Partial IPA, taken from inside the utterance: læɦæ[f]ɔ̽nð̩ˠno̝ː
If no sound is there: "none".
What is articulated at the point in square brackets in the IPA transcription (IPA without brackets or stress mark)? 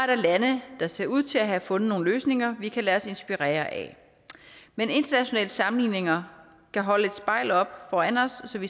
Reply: f